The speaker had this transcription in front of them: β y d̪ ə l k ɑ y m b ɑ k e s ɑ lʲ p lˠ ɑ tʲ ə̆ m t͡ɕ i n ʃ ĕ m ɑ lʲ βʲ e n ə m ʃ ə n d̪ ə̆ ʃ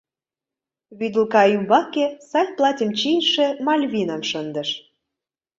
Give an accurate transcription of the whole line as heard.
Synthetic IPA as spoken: β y d̪ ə l k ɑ y m b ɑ k e s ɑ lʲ p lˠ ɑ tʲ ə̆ m t͡ɕ i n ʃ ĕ m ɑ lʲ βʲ i n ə m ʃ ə n d̪ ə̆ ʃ